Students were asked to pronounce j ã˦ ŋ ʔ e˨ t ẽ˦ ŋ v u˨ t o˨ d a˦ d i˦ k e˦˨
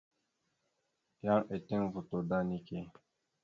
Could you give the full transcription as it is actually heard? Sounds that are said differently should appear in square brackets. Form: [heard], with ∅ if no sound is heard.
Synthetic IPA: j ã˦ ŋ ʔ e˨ t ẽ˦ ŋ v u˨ t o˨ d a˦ [n] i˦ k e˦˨